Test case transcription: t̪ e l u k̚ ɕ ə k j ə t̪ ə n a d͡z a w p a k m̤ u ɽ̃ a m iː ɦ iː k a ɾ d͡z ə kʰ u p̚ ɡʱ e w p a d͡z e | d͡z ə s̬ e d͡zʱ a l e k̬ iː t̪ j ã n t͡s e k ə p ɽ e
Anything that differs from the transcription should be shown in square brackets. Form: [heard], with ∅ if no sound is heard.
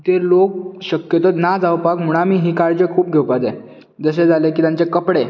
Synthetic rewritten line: t̪ e l [o] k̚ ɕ ə k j ə t̪ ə n a d͡z a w p a k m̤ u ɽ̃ a m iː ɦ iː k a ɾ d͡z ə kʰ [uː] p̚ ɡʱ e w p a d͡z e | d͡z ə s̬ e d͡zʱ a l e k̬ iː t̪ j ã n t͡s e k ə p ɽ e